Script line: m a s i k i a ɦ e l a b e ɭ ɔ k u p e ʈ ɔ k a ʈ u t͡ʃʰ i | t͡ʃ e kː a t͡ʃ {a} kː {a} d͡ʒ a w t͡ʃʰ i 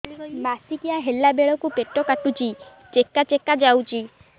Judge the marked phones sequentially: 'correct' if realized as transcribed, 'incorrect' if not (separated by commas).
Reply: incorrect, correct